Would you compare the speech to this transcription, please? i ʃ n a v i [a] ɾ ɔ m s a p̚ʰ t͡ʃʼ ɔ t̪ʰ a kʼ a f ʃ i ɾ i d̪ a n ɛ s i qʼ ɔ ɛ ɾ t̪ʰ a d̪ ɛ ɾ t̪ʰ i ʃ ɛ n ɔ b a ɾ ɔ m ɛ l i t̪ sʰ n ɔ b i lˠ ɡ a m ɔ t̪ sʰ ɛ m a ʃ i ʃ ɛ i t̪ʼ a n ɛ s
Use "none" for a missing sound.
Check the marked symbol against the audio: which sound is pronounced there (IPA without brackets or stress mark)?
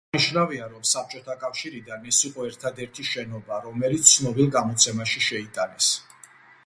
a